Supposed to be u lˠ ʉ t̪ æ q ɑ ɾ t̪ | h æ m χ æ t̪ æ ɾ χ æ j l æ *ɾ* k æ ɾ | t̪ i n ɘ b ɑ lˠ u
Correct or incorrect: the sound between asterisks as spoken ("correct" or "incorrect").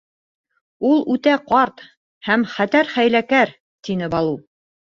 incorrect